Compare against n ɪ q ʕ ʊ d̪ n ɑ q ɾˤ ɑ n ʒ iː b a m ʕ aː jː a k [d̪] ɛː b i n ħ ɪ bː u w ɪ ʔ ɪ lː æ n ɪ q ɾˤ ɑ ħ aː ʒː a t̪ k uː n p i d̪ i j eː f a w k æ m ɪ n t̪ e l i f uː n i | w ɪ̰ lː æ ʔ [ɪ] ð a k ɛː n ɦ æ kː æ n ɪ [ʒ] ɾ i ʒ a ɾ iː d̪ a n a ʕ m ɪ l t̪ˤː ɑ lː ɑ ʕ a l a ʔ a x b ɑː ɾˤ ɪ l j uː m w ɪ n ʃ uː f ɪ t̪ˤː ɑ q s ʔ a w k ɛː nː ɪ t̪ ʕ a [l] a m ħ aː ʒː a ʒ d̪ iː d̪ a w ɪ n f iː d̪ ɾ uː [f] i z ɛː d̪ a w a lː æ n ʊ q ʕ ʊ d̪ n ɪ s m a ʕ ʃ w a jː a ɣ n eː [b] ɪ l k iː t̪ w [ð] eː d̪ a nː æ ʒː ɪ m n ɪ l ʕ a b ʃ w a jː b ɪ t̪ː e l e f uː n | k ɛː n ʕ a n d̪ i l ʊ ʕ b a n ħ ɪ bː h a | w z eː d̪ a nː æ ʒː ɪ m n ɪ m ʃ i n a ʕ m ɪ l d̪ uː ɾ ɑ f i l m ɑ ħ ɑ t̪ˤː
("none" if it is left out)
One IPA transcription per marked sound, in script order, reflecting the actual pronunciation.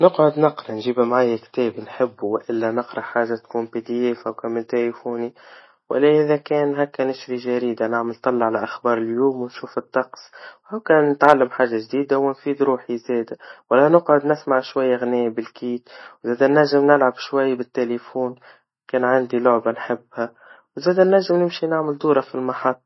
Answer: t̪, ɪ, ʃ, lː, ħ, b, z

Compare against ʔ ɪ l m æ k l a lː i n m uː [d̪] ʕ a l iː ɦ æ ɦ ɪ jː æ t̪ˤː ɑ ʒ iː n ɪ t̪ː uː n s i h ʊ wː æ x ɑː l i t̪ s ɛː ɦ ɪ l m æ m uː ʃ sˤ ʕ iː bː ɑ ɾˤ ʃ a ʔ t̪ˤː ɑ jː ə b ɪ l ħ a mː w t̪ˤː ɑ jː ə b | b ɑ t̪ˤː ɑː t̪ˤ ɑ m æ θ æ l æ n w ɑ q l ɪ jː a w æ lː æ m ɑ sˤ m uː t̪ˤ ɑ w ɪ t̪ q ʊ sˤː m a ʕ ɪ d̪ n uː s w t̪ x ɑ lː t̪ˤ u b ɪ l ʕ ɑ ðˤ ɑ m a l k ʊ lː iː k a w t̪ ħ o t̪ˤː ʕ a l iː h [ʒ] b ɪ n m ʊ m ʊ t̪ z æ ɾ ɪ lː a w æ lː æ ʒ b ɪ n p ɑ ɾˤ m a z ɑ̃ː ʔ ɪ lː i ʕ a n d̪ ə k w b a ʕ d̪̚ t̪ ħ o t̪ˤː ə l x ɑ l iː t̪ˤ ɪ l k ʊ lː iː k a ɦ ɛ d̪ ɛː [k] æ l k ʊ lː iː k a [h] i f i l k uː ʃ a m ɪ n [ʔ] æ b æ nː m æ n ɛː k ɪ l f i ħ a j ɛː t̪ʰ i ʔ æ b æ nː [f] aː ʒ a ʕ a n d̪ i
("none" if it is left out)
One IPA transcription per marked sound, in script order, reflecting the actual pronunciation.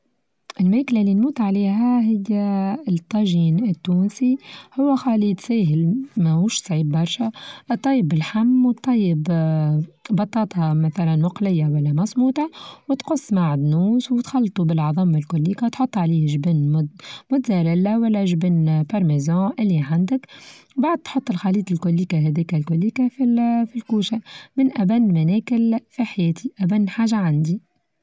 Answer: t̪, ʒ, k, f, ʔ, ħ

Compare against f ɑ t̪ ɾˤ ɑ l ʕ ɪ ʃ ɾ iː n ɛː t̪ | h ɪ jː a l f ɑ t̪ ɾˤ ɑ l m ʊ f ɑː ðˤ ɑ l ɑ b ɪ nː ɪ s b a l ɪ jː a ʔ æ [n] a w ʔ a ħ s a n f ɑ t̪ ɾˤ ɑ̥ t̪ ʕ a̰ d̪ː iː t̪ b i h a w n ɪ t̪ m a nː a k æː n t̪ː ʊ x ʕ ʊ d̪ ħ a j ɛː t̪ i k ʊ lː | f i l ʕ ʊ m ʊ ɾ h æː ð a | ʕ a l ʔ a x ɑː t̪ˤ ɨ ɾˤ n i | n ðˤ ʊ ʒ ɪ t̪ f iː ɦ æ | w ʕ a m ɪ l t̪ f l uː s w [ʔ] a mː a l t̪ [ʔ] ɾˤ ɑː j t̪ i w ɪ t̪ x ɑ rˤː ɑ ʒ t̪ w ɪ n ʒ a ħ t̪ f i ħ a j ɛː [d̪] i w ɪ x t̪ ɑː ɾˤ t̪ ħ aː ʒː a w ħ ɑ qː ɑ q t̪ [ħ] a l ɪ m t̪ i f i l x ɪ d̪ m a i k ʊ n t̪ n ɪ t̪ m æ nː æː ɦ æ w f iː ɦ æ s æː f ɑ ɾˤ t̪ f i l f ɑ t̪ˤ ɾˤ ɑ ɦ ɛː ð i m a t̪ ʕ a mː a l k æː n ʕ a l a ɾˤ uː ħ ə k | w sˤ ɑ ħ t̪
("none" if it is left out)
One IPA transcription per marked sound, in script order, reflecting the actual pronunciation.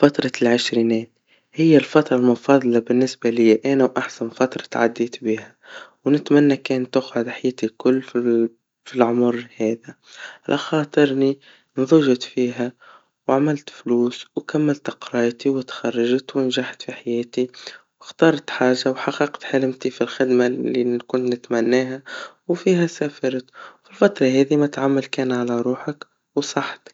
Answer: n, k, q, t̪, ħ

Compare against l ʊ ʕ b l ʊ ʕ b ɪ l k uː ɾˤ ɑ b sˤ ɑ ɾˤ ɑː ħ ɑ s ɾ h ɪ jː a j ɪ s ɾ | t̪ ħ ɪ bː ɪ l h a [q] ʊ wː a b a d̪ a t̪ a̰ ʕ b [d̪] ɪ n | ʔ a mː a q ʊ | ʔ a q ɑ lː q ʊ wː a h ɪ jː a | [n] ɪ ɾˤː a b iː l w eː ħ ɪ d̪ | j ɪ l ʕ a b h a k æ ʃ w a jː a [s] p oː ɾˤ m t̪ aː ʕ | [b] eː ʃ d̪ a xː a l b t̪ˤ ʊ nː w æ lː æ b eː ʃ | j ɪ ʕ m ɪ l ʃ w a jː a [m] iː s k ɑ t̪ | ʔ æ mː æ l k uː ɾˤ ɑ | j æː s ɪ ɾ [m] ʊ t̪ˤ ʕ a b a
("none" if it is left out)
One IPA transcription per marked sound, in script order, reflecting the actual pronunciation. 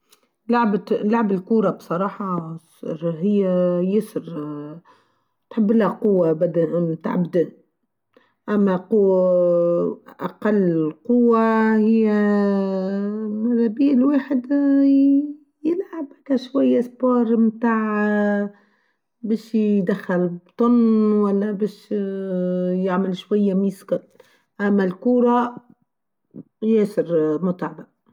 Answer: q, d̪, m, s, b, m, m

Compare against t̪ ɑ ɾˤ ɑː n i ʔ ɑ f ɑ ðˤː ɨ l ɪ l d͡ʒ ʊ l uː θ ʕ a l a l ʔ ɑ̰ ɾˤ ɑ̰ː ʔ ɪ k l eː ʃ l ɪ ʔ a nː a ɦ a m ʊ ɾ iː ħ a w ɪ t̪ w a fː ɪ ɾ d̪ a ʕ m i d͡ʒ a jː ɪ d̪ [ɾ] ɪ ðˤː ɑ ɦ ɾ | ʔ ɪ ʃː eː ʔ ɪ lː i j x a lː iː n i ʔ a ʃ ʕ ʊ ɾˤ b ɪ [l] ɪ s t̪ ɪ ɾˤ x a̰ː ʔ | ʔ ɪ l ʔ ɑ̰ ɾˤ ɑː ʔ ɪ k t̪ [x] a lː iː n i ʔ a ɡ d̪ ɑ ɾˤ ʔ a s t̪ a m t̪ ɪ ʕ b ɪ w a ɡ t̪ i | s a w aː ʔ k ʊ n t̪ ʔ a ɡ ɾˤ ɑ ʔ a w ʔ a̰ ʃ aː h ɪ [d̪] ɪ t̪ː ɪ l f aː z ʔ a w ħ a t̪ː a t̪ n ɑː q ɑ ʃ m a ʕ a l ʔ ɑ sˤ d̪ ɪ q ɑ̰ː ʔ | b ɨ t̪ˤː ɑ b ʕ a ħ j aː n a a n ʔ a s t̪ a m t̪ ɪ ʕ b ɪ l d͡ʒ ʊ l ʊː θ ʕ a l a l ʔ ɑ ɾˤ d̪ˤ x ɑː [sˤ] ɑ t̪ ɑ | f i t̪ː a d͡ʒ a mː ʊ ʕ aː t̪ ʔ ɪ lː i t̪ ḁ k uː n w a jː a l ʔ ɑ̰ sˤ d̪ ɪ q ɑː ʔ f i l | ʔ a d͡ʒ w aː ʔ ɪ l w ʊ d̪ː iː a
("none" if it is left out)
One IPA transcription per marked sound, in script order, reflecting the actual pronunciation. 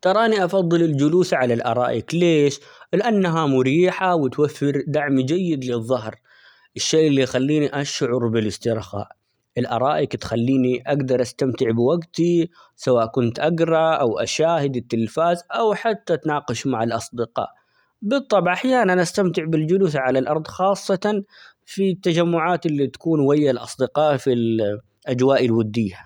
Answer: l, l, x, d̪, sˤː

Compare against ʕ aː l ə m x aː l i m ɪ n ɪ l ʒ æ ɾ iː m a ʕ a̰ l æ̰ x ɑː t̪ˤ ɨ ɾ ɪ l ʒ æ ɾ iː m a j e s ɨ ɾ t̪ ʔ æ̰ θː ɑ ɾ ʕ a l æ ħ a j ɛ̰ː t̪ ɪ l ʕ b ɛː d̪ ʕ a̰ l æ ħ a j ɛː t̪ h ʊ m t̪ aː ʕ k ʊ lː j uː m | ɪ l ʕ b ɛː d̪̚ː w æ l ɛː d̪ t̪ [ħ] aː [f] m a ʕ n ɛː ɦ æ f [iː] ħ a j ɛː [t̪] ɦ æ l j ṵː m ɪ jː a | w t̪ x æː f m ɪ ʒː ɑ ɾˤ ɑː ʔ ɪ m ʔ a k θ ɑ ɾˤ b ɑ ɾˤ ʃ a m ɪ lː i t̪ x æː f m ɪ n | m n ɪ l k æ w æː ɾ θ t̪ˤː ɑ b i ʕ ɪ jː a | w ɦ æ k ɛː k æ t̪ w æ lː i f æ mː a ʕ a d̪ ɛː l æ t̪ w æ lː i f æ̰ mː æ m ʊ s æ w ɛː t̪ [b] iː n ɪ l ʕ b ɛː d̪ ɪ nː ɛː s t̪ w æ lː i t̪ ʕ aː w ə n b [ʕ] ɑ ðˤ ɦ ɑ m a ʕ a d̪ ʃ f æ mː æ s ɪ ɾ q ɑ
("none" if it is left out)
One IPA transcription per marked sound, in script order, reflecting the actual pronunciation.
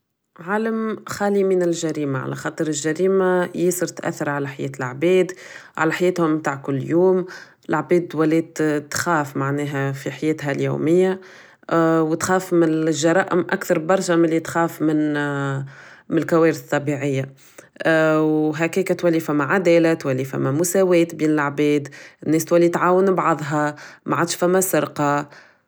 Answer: x, f, i, t̪, b, ʕ

